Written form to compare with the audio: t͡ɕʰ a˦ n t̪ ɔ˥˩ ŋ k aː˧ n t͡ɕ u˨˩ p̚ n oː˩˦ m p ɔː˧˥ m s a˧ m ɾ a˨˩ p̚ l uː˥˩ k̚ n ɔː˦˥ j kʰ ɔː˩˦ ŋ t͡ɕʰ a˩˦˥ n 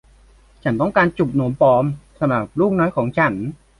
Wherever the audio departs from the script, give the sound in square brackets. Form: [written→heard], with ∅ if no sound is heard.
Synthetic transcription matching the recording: t͡ɕʰ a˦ n t̪ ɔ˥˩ ŋ k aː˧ n t͡ɕ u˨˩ p̚ n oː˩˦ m p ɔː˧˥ m s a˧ m ɾ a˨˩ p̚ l uː˥˩ k̚ n ɔː˦˥ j kʰ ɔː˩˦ ŋ t͡ɕʰ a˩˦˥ n